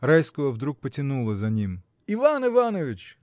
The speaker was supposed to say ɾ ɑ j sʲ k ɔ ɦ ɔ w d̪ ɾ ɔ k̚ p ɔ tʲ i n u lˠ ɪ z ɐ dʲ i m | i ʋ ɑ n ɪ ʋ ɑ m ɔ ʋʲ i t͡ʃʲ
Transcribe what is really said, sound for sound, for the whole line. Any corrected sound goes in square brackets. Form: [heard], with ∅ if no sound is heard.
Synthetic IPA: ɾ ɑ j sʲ k ɔ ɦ ɔ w d̪ ɾ [u] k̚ p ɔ tʲ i n u lˠ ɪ z ɐ [nʲ] i m | i ʋ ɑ n ɪ ʋ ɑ [n] ɔ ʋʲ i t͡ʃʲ